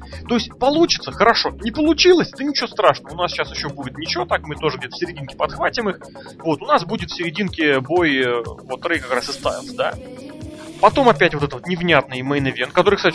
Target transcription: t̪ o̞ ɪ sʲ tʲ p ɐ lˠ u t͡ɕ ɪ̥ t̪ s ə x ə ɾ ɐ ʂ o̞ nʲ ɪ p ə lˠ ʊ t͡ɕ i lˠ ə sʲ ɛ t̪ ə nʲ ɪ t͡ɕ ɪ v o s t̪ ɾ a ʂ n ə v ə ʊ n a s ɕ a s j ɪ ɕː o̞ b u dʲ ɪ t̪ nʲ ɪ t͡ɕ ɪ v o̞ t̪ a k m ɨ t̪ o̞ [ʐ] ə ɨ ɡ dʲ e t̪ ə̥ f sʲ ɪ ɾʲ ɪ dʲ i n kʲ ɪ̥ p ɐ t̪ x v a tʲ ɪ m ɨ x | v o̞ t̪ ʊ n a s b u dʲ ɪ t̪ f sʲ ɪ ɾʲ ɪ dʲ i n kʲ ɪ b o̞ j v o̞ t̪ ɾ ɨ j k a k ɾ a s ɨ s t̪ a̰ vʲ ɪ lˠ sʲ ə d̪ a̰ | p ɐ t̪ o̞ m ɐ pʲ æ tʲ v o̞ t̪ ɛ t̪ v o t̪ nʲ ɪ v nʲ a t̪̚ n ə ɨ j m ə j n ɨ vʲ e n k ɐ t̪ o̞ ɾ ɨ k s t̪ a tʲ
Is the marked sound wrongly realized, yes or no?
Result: no